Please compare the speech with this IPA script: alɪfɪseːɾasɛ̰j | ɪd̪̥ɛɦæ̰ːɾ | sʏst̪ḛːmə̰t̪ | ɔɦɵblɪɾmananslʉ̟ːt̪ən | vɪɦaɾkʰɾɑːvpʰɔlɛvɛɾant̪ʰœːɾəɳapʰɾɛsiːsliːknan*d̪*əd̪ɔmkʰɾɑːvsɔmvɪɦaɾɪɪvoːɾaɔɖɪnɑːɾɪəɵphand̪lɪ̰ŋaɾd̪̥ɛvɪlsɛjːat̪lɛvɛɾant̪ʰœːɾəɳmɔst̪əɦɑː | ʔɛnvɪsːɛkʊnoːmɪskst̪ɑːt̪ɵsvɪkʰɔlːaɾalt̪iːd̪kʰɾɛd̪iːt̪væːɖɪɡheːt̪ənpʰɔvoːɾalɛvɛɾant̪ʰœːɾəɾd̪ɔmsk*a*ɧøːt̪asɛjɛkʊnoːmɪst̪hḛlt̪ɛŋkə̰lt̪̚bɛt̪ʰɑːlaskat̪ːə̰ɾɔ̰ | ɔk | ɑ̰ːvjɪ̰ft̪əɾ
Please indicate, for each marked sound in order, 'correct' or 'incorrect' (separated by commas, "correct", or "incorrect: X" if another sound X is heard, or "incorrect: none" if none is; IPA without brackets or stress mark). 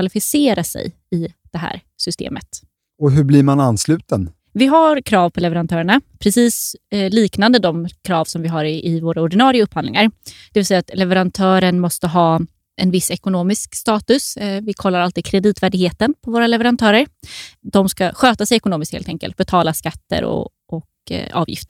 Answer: correct, correct